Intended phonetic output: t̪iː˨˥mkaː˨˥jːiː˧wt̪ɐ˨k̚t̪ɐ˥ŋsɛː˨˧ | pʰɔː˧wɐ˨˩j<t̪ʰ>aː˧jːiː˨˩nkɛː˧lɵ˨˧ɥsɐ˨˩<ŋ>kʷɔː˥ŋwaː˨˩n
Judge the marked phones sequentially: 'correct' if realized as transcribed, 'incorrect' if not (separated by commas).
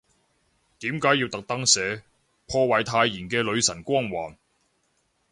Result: correct, incorrect